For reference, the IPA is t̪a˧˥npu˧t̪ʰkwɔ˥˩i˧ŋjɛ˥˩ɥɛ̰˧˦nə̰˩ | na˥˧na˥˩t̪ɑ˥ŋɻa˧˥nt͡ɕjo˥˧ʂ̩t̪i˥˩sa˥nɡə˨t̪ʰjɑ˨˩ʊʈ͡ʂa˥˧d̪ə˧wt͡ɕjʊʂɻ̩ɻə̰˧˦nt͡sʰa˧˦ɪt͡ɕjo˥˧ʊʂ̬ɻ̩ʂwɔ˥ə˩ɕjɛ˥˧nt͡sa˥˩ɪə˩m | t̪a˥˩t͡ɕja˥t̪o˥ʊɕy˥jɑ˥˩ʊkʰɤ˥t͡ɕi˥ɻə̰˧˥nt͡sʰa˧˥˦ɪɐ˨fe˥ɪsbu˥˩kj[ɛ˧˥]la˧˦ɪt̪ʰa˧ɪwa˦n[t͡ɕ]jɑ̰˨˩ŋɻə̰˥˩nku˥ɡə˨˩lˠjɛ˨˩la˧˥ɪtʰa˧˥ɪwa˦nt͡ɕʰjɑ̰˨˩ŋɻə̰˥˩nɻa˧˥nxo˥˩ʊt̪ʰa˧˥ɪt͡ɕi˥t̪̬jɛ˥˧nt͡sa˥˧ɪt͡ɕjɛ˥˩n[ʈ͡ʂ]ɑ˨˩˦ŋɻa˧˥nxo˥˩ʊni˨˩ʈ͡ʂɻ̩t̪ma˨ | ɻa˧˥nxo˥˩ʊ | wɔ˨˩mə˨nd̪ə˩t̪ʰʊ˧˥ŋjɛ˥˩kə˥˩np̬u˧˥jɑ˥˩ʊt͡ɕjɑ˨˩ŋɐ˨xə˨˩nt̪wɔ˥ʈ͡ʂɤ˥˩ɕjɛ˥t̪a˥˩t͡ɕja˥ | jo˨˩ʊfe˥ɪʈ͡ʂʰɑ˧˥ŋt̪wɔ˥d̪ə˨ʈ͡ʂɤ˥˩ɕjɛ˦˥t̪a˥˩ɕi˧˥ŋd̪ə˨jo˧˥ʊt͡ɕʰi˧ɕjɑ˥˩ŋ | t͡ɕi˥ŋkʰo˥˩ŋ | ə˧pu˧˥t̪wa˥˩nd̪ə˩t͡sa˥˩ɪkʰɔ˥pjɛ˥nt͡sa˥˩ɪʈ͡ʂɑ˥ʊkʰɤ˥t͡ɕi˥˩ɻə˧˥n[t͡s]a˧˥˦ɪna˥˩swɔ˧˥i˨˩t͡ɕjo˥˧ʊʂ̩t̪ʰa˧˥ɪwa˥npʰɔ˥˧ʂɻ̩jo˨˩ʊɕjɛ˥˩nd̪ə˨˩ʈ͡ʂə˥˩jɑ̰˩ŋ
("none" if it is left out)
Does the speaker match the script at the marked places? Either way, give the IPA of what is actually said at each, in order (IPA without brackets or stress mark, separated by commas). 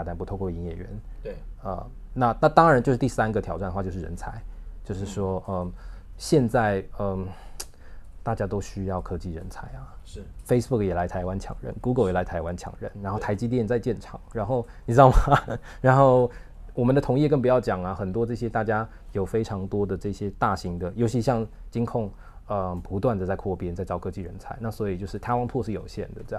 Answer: ɛ˨˩, t͡ɕʰ, ʈ͡ʂʰ, t͡sʰ